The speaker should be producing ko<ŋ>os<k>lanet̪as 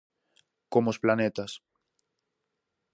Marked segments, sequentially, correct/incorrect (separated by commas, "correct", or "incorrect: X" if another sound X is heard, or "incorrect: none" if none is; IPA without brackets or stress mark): incorrect: m, incorrect: p